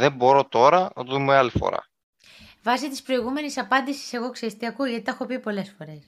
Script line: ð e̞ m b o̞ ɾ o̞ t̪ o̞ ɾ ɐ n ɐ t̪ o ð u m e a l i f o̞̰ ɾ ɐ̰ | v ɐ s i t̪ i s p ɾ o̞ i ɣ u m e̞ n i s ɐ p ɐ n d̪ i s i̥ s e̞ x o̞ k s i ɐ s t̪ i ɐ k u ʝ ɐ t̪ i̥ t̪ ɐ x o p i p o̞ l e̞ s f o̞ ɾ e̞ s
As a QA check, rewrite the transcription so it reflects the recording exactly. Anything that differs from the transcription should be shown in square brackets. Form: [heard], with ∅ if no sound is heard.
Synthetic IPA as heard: ð e̞ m b o̞ ɾ o̞ t̪ o̞ ɾ ɐ n ɐ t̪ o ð u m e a l i f o̞̰ ɾ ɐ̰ | v ɐ s i t̪ i s p ɾ o̞ i ɣ u m e̞ n i s ɐ p ɐ n d̪ i s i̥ s e̞ [ɣ] o̞ k s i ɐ s t̪ i ɐ k u ʝ ɐ t̪ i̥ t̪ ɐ x o p i p o̞ l e̞ s f o̞ ɾ e̞ s